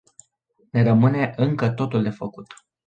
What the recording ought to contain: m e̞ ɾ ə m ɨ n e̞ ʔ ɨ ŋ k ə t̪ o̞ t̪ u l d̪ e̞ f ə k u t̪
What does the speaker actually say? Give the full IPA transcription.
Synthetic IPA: n e̞ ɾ ə m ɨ n e̞ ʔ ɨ ŋ k ə t̪ o̞ t̪ u l d̪ e̞ f ə k u t̪